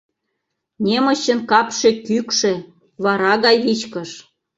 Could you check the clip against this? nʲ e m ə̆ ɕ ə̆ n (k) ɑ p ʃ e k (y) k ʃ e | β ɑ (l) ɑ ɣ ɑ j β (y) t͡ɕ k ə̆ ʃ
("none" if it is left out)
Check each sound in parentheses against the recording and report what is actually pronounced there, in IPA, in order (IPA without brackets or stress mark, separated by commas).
k, y, ɾ, i